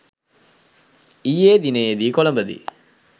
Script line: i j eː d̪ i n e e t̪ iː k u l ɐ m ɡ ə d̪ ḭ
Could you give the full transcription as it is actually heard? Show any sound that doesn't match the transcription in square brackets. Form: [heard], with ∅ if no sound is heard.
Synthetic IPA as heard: i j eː d̪ i n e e [d̪] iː k [o] l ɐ m [b] ə d̪ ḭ